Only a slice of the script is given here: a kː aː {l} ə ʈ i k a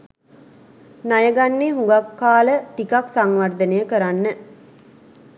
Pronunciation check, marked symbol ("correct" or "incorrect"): correct